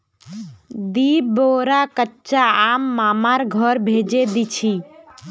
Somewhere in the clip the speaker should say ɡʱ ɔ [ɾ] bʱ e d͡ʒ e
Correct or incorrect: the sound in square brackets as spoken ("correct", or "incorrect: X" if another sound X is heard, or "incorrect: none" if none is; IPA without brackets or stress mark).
correct